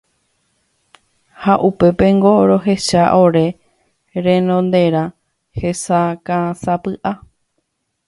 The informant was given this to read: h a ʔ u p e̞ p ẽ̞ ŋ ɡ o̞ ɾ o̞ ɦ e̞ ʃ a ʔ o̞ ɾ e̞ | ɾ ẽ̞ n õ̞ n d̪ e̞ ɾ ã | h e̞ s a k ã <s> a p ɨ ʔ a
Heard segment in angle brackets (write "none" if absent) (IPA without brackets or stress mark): s